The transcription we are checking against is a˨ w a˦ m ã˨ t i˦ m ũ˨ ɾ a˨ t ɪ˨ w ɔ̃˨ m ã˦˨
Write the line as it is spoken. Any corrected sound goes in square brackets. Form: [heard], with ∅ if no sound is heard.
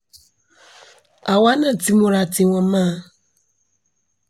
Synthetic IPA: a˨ w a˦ [n] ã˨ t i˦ m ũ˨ ɾ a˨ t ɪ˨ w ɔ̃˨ m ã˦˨